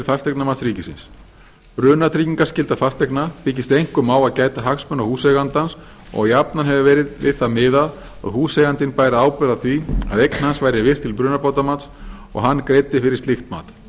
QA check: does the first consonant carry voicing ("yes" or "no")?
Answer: no